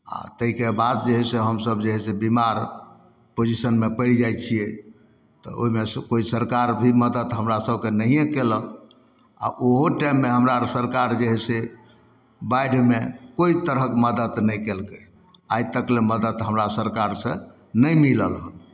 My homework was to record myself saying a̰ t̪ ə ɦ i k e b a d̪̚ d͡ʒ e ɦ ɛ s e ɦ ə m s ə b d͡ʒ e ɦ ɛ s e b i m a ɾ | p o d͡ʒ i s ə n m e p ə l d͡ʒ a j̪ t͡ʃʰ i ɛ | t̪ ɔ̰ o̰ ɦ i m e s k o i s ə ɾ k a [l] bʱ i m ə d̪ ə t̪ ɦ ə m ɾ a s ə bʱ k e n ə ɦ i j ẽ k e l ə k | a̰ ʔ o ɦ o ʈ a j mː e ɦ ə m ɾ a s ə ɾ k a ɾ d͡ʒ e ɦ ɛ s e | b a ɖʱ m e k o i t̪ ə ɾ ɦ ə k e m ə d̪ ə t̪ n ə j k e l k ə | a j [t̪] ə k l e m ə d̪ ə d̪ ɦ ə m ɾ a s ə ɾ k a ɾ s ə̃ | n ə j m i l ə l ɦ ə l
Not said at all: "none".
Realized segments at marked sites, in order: ɾ, t̪

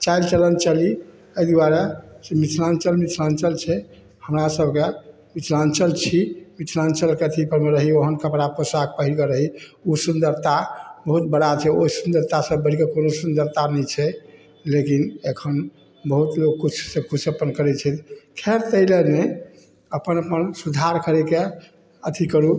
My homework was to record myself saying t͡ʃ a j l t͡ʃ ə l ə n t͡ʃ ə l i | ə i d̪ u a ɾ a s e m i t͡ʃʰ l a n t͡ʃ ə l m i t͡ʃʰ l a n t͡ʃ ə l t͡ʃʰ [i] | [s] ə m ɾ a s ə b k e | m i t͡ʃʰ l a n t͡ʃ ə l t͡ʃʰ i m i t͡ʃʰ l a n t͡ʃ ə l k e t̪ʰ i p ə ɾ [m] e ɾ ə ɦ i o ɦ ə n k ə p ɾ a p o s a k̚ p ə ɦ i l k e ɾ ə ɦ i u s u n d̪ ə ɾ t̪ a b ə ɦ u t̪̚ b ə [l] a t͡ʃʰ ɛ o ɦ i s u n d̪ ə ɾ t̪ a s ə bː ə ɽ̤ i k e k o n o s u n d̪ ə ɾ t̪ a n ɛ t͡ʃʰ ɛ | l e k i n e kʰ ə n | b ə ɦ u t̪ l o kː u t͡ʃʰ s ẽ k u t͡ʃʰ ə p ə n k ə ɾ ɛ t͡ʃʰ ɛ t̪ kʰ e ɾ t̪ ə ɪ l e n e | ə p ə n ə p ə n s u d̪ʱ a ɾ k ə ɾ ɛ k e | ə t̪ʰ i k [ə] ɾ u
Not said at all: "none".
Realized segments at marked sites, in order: ɛ, h, m, ɽ, ə

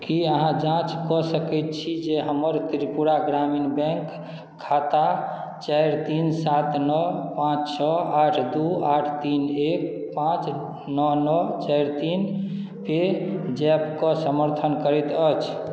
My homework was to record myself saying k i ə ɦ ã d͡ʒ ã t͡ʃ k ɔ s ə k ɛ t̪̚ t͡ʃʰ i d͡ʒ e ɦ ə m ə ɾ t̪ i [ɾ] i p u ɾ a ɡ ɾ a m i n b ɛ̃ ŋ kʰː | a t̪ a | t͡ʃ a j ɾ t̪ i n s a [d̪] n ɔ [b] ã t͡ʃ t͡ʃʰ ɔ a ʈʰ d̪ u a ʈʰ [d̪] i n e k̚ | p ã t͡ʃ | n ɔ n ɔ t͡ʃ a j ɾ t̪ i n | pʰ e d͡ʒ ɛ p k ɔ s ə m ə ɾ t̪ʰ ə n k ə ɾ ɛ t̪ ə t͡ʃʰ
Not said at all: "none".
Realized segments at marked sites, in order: ɾ, t̪, p, t̪

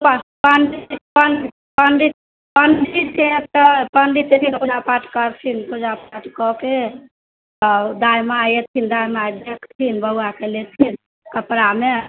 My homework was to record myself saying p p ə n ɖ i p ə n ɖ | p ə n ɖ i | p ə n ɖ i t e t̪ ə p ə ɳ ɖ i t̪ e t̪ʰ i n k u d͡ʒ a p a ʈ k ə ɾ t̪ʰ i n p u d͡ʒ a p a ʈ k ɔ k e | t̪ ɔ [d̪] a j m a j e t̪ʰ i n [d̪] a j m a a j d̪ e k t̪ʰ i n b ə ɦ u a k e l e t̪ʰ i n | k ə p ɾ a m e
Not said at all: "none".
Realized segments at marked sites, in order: d̪, d̪

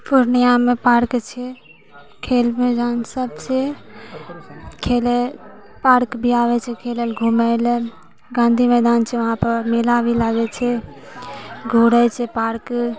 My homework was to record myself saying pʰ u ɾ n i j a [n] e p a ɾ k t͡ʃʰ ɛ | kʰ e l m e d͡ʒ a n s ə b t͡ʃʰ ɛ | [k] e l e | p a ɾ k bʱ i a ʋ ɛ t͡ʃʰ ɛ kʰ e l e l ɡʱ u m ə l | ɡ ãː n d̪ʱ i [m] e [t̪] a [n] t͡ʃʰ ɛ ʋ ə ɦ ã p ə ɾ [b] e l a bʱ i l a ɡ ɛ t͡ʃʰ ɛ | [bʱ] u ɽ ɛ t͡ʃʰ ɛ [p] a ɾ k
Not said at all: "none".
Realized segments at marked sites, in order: m, kʰ, m, d̪, n, m, ɡʱ, p

